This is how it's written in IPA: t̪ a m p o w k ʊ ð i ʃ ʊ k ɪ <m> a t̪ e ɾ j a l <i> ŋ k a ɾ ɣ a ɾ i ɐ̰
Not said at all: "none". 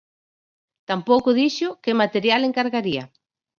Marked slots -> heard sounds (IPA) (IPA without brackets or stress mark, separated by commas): m, e